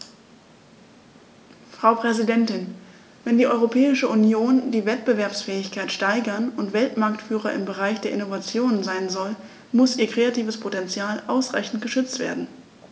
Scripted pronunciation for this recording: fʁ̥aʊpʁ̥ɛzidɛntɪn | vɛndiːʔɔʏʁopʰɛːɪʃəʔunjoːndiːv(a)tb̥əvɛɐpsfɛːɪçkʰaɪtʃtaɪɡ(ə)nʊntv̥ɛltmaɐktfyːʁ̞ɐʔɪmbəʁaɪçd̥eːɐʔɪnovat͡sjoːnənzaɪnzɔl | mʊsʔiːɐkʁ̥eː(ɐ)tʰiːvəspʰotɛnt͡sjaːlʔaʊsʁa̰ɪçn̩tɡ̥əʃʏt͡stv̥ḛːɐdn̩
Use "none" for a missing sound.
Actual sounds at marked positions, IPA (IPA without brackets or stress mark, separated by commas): ɛ, ɐ, a